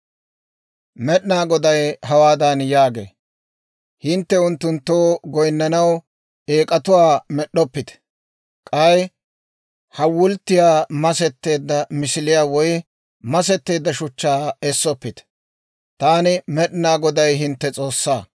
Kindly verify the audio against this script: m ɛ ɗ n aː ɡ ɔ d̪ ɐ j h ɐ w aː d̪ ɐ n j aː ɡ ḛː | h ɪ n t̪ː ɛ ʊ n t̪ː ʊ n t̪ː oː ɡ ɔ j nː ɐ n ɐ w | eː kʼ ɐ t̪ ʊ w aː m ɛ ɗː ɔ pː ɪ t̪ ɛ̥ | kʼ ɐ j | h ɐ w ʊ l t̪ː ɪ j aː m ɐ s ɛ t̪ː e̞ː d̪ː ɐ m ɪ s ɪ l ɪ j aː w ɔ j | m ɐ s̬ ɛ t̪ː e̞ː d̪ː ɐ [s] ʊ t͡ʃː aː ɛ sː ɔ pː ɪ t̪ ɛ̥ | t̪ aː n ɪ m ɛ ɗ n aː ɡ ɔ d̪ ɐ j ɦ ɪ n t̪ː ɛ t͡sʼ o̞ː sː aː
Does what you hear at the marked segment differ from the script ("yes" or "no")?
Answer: yes